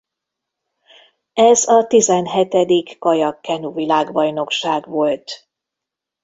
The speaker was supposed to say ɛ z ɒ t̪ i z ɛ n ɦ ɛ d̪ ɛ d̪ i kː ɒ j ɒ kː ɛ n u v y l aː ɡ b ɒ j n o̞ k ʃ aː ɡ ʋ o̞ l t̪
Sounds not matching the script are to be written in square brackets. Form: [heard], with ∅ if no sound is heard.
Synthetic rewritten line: ɛ z ɒ t̪ i z ɛ n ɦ ɛ [t̪] ɛ d̪ i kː ɒ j ɒ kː ɛ n u v [i] l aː ɡ b ɒ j n o̞ k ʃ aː ɡ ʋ o̞ l t̪